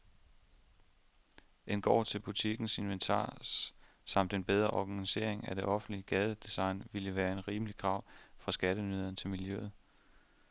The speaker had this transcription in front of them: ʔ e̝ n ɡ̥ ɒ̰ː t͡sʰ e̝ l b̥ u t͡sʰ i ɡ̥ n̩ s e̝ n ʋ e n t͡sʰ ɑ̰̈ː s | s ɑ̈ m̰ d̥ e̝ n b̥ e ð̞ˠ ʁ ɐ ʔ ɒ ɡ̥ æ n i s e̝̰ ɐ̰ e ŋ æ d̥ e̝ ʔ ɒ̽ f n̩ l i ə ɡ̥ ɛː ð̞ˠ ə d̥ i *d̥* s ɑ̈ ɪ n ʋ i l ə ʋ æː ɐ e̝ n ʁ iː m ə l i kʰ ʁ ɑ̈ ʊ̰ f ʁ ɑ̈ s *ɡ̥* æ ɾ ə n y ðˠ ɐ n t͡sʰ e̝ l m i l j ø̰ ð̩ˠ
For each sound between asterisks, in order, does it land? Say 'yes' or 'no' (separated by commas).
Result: no, yes